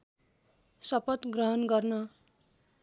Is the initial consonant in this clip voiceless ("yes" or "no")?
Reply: yes